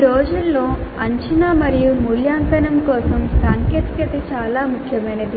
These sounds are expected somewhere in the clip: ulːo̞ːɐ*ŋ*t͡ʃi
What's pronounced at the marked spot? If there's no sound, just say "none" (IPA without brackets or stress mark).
ɲ